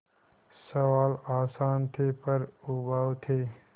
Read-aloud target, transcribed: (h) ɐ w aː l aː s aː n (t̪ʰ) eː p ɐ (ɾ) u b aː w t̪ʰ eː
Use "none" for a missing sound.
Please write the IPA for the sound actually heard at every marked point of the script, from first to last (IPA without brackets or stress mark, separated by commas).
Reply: s, t̪ʰ, ɾ